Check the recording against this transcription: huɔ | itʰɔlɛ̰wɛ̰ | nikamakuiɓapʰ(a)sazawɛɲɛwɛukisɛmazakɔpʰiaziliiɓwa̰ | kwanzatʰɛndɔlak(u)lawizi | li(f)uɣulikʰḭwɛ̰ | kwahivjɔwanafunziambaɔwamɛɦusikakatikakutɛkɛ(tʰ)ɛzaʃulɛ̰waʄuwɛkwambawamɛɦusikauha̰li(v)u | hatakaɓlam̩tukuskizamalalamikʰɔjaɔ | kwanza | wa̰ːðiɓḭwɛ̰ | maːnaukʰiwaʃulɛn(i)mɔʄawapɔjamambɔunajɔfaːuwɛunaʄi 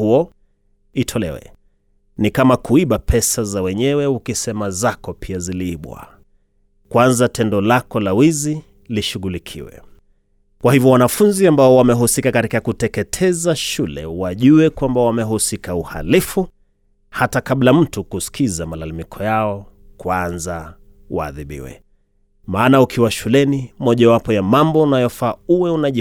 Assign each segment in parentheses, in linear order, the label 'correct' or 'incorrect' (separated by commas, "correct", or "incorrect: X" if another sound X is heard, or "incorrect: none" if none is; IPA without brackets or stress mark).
incorrect: ɛ, incorrect: ɔ, incorrect: ʃ, correct, incorrect: f, correct